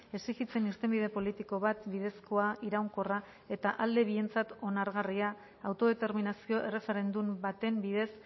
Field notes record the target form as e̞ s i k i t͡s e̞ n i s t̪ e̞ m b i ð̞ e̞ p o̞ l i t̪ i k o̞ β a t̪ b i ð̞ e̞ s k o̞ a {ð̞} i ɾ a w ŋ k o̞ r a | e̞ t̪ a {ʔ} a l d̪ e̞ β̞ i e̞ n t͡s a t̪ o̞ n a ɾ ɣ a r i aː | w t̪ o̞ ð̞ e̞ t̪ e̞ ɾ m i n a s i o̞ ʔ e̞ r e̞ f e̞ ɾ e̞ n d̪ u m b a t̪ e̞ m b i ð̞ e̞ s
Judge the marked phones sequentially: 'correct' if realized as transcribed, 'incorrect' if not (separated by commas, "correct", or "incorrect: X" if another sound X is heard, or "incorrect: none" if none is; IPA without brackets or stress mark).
incorrect: none, correct